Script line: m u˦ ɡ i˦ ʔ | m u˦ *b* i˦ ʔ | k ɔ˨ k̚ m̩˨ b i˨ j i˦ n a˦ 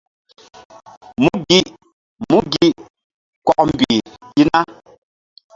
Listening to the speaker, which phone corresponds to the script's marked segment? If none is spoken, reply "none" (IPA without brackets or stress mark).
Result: ɡ